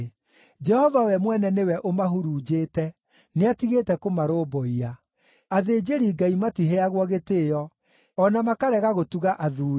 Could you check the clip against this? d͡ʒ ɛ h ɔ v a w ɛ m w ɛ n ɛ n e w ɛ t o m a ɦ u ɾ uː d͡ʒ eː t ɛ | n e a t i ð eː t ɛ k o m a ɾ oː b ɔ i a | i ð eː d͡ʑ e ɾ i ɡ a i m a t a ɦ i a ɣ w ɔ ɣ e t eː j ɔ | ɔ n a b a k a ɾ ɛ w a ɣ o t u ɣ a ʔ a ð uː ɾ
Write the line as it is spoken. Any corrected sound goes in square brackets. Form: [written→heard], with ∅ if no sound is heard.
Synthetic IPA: d͡ʒ ɛ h ɔ v a w ɛ m w ɛ n ɛ n e w ɛ [t→ʔ] o m a ɦ u ɾ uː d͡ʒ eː t ɛ | n e a t i [ð→ɣ] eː t ɛ k o m a ɾ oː b ɔ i a | [i→a] ð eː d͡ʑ e ɾ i ɡ a i m a t [a→i] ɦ [i→e] a ɣ w ɔ ɣ e t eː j ɔ | ɔ n a [b→m] a k a ɾ ɛ [w→ɣ] a ɣ o t u ɣ a ʔ a ð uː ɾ